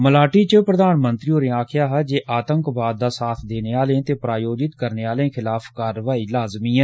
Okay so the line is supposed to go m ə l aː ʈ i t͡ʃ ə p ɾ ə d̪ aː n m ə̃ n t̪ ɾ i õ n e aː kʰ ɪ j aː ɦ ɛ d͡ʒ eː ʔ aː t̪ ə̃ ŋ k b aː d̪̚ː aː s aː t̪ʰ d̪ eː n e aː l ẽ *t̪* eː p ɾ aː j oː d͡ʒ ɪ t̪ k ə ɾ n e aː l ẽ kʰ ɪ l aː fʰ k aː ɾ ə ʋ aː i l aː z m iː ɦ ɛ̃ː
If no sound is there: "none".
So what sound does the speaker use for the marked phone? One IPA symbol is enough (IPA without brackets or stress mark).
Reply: t̪